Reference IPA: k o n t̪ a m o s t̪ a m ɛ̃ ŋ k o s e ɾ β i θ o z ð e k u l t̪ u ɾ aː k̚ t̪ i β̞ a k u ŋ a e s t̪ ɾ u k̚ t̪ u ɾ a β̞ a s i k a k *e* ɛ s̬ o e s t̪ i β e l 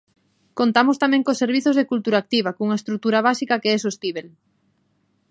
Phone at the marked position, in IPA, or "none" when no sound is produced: e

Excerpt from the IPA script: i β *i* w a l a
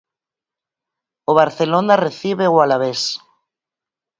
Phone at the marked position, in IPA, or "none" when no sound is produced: e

